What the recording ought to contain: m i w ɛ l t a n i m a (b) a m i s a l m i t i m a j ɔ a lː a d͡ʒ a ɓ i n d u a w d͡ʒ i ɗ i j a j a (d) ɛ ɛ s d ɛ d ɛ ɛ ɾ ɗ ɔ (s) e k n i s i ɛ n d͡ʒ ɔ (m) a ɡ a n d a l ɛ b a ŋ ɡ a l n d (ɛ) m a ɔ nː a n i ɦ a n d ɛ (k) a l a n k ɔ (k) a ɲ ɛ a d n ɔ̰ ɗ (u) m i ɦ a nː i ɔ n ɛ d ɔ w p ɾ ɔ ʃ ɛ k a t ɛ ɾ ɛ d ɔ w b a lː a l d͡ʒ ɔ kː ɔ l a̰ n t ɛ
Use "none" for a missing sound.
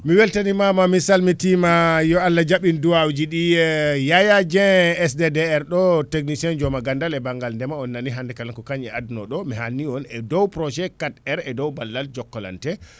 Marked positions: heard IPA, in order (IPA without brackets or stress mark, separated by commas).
m, d͡ʒ, t, m, ɛ, k, k, ɔ